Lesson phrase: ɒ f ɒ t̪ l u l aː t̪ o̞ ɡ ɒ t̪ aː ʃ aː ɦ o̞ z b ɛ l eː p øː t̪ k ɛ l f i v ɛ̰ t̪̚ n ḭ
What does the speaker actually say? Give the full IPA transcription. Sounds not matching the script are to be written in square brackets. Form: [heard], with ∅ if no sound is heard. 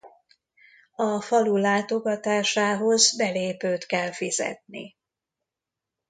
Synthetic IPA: ɒ f ɒ [∅] l u l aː t̪ o̞ ɡ ɒ t̪ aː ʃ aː ɦ o̞ z b ɛ l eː p øː t̪ k ɛ l f i [z] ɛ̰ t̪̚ n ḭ